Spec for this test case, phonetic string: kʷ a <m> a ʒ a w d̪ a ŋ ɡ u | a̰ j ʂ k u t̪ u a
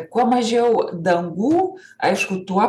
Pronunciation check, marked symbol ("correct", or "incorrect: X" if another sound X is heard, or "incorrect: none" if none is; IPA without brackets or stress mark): correct